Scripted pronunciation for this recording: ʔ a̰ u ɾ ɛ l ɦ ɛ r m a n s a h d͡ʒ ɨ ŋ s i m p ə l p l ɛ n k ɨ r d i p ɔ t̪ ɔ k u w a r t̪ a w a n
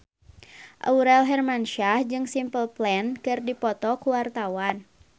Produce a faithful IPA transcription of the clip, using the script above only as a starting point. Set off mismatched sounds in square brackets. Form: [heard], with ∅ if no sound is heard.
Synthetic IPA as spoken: ʔ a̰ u ɾ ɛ l ɦ ɛ r m a n [ʃ] a h d͡ʒ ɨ ŋ s i m p ə l p l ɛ n k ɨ r d i p ɔ t̪ ɔ k u w a r t̪ a w a n